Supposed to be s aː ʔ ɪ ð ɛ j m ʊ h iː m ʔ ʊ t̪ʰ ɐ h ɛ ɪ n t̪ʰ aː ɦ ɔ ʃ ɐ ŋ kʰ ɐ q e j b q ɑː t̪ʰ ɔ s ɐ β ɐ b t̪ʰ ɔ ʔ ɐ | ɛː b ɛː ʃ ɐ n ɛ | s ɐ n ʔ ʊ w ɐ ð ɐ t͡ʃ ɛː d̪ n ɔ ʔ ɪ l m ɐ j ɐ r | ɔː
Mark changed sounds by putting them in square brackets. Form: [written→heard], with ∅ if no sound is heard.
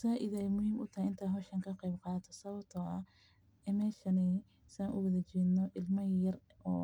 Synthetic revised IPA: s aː ʔ ɪ ð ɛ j m ʊ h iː m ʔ ʊ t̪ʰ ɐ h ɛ ɪ n t̪ʰ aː ɦ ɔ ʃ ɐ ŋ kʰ ɐ q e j b q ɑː t̪ʰ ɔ s ɐ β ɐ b t̪ʰ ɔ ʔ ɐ | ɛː [b→m] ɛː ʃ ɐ n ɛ | s ɐ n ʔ ʊ w ɐ ð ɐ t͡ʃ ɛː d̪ n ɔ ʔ ɪ l m ɐ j ɐ r | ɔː

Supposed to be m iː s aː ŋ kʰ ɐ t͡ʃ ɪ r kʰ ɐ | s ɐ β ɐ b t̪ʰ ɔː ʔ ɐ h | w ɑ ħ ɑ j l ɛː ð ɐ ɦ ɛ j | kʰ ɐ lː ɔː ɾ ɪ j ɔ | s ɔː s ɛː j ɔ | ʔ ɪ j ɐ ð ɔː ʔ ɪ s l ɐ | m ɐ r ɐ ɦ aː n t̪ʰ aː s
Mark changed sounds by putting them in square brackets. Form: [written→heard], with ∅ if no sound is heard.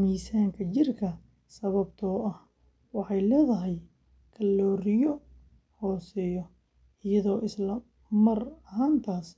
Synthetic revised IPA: m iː s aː ŋ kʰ ɐ t͡ʃ ɪ r kʰ ɐ | s ɐ β ɐ b t̪ʰ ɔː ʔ ɐ h | w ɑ ħ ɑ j l ɛː ð ɐ ɦ ɛ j | kʰ ɐ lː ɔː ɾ ɪ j ɔ | [s→h] ɔː s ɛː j ɔ | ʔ ɪ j ɐ ð ɔː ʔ ɪ s l ɐ | m ɐ r ɐ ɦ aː n t̪ʰ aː s

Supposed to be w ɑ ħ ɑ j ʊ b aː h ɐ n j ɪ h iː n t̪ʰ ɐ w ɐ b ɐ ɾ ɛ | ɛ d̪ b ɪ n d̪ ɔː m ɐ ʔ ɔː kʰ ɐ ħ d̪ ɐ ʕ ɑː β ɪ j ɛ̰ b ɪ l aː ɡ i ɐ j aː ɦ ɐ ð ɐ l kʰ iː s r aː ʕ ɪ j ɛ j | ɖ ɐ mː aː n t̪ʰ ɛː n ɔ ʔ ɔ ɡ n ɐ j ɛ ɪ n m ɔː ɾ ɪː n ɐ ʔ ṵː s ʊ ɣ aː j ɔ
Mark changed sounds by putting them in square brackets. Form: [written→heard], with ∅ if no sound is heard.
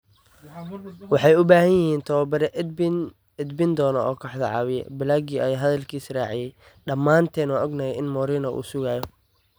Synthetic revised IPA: w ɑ ħ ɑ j ʊ b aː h ɐ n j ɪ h iː n t̪ʰ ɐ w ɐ b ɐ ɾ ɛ | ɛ d̪ b ɪ n d̪ ɔː [m→n] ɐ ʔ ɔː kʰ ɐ ħ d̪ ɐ ʕ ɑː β ɪ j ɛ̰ b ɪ l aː ɡ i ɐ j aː ɦ ɐ ð ɐ l kʰ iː s r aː ʕ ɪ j ɛ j | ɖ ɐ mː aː n t̪ʰ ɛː n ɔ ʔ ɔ ɡ n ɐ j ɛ ɪ n m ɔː ɾ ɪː n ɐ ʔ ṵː s ʊ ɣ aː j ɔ

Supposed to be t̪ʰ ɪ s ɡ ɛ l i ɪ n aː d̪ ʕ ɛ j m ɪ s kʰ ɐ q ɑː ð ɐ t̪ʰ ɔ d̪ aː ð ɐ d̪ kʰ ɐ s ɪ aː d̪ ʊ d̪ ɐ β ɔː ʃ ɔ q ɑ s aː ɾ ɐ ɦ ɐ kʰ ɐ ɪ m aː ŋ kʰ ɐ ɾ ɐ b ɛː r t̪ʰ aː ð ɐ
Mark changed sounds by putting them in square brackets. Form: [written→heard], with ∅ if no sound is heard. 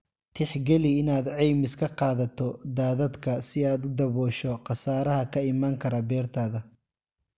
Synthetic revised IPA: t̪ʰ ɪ [s→ħ] ɡ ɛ l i ɪ n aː d̪ ʕ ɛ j m ɪ s kʰ ɐ q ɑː ð ɐ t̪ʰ ɔ d̪ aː ð ɐ d̪ kʰ ɐ s ɪ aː d̪ ʊ d̪ ɐ β ɔː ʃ ɔ q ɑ s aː ɾ ɐ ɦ ɐ kʰ ɐ ɪ m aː ŋ kʰ ɐ ɾ ɐ b ɛː r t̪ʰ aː ð ɐ

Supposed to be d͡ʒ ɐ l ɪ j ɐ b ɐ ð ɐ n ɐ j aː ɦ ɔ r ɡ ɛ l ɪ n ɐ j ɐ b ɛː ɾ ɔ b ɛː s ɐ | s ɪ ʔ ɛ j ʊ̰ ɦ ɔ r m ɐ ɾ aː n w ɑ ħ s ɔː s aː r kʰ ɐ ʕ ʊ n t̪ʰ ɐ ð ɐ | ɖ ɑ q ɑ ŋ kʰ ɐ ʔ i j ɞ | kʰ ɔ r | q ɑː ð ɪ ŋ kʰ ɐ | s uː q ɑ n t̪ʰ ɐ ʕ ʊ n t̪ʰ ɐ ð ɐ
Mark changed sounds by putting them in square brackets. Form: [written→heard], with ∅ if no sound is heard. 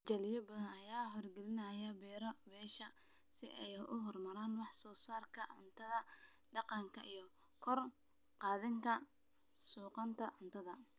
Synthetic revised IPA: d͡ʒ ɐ l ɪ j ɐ b ɐ ð ɐ n ɐ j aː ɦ ɔ r ɡ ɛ l ɪ n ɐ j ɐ b ɛː ɾ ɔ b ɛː [s→ʃ] ɐ | s ɪ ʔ ɛ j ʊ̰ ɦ ɔ r m ɐ ɾ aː n w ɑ ħ s ɔː s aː r kʰ ɐ ʕ ʊ n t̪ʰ ɐ ð ɐ | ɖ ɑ q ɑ ŋ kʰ ɐ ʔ i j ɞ | kʰ ɔ r | q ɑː ð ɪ ŋ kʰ ɐ | s uː q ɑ n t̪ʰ ɐ ʕ ʊ n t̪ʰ ɐ ð ɐ

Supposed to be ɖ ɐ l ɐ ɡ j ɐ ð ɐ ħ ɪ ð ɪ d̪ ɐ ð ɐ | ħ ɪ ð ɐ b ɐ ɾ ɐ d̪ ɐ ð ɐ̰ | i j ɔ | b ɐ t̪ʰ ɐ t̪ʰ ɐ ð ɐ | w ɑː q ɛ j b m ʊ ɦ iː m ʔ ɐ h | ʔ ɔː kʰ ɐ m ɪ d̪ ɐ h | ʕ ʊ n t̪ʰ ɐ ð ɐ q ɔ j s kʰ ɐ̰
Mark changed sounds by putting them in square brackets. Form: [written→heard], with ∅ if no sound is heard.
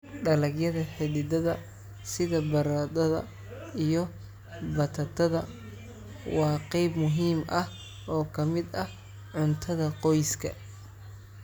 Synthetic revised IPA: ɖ ɐ l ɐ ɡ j ɐ ð ɐ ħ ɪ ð ɪ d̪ ɐ ð ɐ | [ħ→s] ɪ ð ɐ b ɐ ɾ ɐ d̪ ɐ ð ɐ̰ | i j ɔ | b ɐ t̪ʰ ɐ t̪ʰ ɐ ð ɐ | w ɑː q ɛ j b m ʊ ɦ iː m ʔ ɐ h | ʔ ɔː kʰ ɐ m ɪ d̪ ɐ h | ʕ ʊ n t̪ʰ ɐ ð ɐ q ɔ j s kʰ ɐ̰

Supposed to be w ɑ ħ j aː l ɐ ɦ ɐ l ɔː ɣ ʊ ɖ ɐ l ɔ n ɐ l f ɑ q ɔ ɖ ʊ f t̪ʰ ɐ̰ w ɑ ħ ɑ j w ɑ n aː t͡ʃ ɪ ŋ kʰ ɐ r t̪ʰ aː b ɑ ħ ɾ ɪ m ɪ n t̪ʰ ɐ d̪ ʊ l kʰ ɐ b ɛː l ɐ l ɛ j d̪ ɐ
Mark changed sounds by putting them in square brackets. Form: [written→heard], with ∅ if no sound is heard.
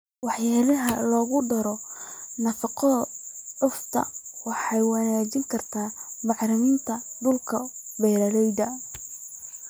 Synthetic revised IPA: w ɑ ħ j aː l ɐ ɦ ɐ l ɔː ɣ ʊ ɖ ɐ [l→ɾ] ɔ n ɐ [l→∅] f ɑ q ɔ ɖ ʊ f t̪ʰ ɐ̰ w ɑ ħ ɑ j w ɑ n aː t͡ʃ ɪ ŋ kʰ ɐ r t̪ʰ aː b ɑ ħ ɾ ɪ m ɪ n t̪ʰ ɐ d̪ ʊ l kʰ ɐ b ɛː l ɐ l ɛ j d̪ ɐ

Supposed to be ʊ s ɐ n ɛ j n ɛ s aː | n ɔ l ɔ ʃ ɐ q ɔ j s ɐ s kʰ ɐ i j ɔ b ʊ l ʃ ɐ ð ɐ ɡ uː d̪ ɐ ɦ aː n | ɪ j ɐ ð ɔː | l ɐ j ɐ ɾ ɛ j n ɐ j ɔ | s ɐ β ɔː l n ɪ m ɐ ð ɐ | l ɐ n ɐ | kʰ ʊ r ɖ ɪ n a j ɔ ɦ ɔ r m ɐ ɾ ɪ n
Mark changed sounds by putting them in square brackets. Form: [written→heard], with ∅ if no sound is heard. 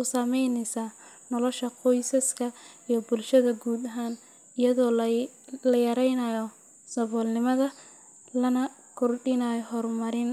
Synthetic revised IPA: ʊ s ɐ [n→m] ɛ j n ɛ s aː | n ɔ l ɔ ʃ ɐ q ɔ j s ɐ s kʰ ɐ i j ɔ b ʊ l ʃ ɐ ð ɐ ɡ uː d̪ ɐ ɦ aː n | ɪ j ɐ ð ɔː | l ɐ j ɐ ɾ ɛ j n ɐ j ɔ | s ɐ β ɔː l n ɪ m ɐ ð ɐ | l ɐ n ɐ | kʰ ʊ r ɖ ɪ n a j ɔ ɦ ɔ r m ɐ ɾ ɪ n

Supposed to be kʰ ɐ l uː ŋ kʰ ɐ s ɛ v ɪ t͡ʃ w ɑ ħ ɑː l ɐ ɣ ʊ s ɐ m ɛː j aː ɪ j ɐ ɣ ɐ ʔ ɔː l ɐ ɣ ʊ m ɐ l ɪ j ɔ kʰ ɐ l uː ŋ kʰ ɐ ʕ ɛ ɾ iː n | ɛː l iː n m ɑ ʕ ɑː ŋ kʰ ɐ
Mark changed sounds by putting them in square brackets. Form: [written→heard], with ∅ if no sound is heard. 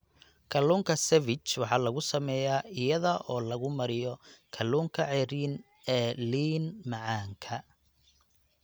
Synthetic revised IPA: kʰ ɐ l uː ŋ kʰ ɐ s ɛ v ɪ t͡ʃ w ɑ ħ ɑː l ɐ ɣ ʊ s ɐ m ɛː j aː ɪ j ɐ [ɣ→ð] ɐ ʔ ɔː l ɐ ɣ ʊ m ɐ [l→ɾ] ɪ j ɔ kʰ ɐ l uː ŋ kʰ ɐ ʕ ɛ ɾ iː n | ɛː l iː n m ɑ ʕ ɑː ŋ kʰ ɐ

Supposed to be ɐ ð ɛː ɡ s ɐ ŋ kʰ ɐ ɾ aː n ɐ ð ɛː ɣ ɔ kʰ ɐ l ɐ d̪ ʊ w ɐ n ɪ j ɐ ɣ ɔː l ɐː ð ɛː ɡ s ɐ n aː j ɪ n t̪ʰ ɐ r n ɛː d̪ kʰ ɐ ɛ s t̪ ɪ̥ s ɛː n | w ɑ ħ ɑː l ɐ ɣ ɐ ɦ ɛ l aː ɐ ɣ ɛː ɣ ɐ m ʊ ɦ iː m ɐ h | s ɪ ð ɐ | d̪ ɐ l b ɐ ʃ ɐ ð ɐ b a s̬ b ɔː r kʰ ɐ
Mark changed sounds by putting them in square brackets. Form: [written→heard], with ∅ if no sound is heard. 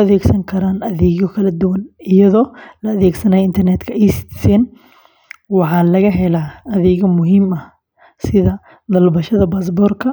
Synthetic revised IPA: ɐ ð ɛː ɡ s ɐ ŋ kʰ ɐ ɾ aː n ɐ ð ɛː ɣ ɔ kʰ ɐ l ɐ d̪ ʊ w ɐ n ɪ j ɐ [ɣ→ð] ɔː l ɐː ð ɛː ɡ s ɐ n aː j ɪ n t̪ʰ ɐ r n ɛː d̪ kʰ ɐ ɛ s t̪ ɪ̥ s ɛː n | w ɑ ħ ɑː l ɐ ɣ ɐ ɦ ɛ l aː ɐ [ɣ→ð] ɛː ɣ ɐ m ʊ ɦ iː m ɐ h | s ɪ ð ɐ | d̪ ɐ l b ɐ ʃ ɐ ð ɐ b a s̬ b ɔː r kʰ ɐ

